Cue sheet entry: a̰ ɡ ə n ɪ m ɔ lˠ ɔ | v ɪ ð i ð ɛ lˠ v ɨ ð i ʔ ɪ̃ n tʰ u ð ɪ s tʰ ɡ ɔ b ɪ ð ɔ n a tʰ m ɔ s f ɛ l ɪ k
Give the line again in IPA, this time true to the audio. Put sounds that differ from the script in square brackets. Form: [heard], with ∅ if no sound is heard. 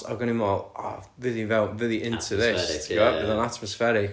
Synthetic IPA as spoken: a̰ ɡ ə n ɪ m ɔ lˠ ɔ | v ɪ ð i [v] ɛ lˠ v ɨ ð i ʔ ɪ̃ n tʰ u ð ɪ s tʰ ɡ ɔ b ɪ ð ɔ n a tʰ m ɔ s f ɛ [ɾ] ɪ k